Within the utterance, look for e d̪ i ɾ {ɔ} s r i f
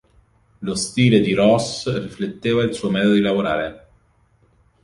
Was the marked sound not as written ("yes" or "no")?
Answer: no